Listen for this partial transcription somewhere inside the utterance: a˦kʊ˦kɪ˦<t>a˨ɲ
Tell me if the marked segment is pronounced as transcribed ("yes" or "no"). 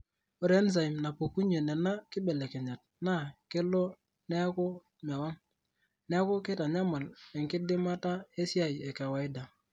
yes